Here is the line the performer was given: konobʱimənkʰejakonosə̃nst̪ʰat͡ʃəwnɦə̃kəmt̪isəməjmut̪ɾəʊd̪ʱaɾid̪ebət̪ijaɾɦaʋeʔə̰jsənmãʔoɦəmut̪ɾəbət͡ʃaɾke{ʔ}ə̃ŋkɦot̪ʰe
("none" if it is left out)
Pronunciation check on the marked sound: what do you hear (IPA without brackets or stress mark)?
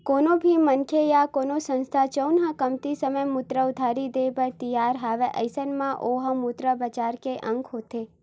ʔ